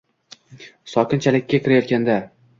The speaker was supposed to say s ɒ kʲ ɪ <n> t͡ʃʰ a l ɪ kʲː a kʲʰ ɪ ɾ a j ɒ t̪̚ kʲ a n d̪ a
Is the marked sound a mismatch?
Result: no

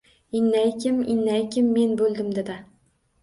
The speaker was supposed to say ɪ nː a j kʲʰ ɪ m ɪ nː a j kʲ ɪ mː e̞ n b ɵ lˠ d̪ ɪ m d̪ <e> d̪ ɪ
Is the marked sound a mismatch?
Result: no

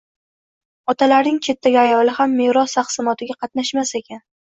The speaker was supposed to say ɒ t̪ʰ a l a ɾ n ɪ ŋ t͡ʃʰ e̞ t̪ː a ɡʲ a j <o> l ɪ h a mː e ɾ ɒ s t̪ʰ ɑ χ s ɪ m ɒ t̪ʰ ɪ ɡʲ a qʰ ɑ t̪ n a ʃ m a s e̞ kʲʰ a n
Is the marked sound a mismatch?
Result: yes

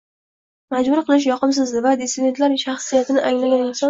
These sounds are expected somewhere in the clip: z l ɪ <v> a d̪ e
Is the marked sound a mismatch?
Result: no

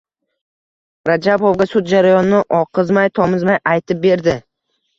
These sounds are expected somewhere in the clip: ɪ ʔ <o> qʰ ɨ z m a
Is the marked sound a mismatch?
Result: yes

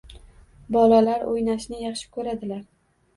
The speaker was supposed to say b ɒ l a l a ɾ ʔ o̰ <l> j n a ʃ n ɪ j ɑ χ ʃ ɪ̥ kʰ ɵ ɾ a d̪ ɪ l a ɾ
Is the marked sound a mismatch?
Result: yes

